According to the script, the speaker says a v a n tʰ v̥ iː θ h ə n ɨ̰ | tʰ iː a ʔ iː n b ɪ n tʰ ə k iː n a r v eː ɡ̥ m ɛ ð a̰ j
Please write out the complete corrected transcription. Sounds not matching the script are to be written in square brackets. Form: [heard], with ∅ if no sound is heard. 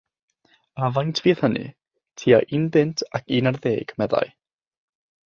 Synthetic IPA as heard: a v a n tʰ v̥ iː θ h ə n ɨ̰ | tʰ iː a ʔ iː n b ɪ n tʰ [a] k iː n a r [ð] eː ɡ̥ m ɛ ð a̰ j

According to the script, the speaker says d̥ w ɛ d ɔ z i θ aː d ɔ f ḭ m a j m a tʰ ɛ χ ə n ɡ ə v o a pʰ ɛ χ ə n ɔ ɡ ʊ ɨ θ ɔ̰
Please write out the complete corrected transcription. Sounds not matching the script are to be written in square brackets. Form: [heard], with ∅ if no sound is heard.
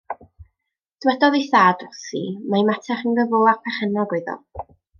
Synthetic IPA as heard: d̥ w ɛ d ɔ [ð] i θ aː d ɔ [s] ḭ m a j m a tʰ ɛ χ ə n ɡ ə v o a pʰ ɛ χ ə n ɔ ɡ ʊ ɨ [ð] ɔ̰

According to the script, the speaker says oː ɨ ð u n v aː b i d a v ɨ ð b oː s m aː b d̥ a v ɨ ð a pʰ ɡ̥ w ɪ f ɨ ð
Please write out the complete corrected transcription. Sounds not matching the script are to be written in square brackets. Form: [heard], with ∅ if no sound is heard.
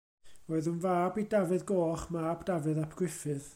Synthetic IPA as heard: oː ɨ ð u n v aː b i d a v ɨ ð [ɡ] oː [χ] m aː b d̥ a v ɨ ð a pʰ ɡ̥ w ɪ f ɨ ð

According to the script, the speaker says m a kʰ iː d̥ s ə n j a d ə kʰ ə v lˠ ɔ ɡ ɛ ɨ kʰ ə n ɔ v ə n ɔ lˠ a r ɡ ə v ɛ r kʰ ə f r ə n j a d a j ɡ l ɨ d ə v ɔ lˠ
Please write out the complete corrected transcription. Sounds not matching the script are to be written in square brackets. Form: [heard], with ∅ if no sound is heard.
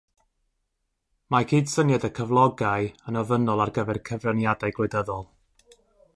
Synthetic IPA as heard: m a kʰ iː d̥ s ə n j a d ə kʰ ə v lˠ ɔ ɡ [a] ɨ [∅] ə n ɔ v ə n ɔ lˠ a r ɡ ə v ɛ r kʰ ə [v] r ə n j a d a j ɡ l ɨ d ə [ð] ɔ lˠ

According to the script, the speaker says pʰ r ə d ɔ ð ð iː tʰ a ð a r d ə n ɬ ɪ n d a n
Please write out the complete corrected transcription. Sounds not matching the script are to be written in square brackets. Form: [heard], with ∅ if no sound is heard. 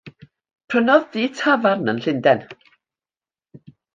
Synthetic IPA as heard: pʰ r ə [n] ɔ ð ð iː tʰ a [v] a r [n] ə n ɬ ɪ n d [ɛ] n

